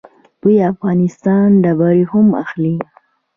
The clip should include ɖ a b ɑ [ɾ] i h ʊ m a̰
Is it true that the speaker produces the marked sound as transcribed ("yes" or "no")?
yes